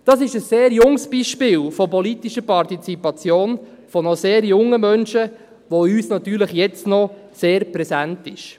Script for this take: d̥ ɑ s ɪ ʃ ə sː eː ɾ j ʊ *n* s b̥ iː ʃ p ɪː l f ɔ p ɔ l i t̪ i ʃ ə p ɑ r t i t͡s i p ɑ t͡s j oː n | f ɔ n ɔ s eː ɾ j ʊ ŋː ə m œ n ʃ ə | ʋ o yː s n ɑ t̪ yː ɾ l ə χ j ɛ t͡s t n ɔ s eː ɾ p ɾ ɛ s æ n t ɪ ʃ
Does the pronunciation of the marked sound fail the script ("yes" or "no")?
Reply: yes